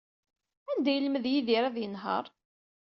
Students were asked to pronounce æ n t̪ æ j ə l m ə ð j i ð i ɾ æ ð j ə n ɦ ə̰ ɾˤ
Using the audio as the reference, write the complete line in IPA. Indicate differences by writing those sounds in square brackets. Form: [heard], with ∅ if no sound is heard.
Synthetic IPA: æ n [d̪] æ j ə l m ə ð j i ð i ɾ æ ð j ə n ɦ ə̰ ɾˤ